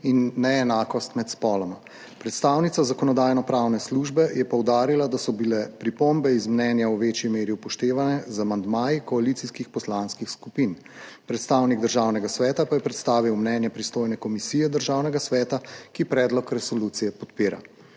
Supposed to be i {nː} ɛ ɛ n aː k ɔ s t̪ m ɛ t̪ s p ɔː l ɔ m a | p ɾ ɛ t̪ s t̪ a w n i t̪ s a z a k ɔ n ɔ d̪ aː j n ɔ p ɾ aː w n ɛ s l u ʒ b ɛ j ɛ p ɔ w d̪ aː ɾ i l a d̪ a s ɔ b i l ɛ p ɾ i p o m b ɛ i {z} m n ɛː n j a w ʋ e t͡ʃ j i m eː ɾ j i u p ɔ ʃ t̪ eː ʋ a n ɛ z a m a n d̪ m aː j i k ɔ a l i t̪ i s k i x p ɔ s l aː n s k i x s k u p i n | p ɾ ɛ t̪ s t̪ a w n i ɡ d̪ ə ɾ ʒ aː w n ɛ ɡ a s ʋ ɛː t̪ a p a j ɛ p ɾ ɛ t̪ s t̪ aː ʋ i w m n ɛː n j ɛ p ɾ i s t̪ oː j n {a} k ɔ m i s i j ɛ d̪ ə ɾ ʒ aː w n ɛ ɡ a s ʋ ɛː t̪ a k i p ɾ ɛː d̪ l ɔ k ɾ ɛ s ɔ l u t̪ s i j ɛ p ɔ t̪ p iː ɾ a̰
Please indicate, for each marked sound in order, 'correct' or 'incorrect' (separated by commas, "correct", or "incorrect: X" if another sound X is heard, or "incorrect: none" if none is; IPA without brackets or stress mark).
correct, correct, incorrect: ɛ